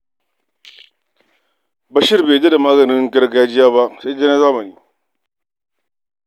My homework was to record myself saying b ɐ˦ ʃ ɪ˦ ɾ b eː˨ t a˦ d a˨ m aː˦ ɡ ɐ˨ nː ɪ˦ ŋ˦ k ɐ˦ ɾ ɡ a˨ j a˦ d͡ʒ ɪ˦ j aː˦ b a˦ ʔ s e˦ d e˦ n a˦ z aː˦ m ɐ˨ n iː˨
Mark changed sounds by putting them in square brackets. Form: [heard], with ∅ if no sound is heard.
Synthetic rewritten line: b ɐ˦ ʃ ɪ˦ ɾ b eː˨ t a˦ d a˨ m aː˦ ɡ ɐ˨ [n] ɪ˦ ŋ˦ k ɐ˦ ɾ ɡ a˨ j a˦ d͡ʒ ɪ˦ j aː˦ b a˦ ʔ s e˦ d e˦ n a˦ z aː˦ m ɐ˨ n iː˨